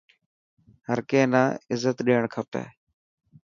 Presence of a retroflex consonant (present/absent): present